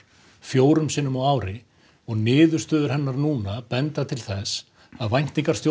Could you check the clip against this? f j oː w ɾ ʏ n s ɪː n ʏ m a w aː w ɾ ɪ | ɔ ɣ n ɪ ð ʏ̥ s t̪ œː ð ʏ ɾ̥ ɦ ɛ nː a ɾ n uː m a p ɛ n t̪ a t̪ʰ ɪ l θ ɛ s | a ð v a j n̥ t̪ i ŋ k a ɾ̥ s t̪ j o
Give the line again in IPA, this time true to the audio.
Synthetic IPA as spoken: f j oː w ɾ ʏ m s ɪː n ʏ m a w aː w ɾ ɪ | ɔ ɣ n ɪː ð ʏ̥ s t̪ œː ð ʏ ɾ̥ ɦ ɛ nː a ɾ n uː n a p ɛ n t̪ a t̪ʰ ɪ l θ ɛ s | a ð v a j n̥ t̪ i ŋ k a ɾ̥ s t̪ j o